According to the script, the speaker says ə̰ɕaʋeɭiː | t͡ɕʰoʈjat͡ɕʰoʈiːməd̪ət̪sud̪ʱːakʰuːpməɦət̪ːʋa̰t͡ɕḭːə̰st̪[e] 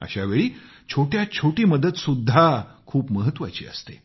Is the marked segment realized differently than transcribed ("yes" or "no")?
no